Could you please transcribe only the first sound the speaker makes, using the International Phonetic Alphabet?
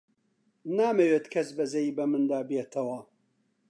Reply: n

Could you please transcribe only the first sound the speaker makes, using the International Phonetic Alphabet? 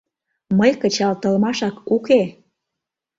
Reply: m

